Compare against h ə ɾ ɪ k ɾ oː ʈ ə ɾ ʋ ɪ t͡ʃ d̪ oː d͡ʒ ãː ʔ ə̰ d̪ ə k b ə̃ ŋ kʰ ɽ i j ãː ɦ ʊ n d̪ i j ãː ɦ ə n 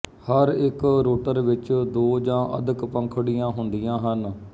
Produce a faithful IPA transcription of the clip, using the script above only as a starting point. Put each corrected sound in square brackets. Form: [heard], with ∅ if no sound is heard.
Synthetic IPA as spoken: h ə ɾ ɪ k ɾ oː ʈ ə ɾ ʋ ɪ t͡ʃ d̪ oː d͡ʒ ãː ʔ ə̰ d̪ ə k [p] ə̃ ŋ kʰ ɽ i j ãː ɦ ʊ n d̪ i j ãː ɦ ə n